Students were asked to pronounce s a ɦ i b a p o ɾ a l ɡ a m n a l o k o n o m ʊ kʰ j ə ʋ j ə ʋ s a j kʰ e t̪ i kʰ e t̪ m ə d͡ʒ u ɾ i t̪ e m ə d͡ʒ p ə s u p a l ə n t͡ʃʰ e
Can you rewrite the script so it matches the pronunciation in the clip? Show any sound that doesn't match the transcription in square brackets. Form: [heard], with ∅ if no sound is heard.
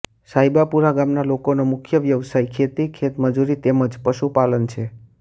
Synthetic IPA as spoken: s a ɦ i b a p [u] ɾ a [∅] ɡ a m n a l o k o n o m ʊ kʰ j ə ʋ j ə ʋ s a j kʰ e t̪ i kʰ e t̪ m ə d͡ʒ u ɾ i t̪ e m ə d͡ʒ p ə [ʃ] u p a l ə n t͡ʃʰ e